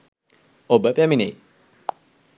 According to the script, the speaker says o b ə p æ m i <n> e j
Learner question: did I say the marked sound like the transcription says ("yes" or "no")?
yes